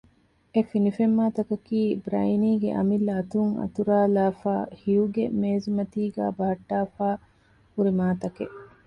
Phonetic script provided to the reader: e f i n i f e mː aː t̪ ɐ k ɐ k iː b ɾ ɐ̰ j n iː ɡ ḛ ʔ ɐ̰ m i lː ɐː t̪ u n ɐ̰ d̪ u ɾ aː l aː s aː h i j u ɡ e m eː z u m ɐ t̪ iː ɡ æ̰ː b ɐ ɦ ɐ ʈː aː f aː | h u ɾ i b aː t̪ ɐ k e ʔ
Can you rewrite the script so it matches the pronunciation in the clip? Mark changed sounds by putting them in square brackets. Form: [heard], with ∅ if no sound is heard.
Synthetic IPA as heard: e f i n i f e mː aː t̪ ɐ k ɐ k iː b ɾ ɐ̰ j n iː ɡ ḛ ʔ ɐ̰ m i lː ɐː t̪ u [ŋ] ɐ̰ [t̪] u ɾ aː l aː [f] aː h i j u ɡ e m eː z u m ɐ t̪ iː ɡ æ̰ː b ɐ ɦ ɐ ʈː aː f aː | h u ɾ i [m] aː t̪ ɐ k e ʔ